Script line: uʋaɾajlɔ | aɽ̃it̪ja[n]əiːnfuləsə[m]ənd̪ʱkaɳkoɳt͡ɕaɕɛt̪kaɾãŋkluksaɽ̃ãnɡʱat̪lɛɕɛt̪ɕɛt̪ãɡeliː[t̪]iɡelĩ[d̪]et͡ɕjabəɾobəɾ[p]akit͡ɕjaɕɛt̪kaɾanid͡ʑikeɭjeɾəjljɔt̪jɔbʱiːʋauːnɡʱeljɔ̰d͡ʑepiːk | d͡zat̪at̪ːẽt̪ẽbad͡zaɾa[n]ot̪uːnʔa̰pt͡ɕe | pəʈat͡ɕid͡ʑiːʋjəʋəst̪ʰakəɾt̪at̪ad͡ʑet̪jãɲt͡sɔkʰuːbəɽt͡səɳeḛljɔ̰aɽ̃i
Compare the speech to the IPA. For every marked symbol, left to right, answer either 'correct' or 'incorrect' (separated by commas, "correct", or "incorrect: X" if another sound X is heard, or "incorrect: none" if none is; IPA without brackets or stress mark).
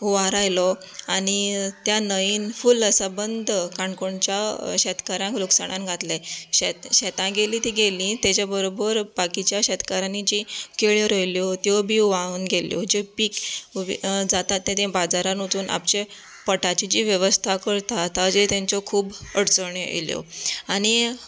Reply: correct, incorrect: b, correct, incorrect: t̪, incorrect: b, correct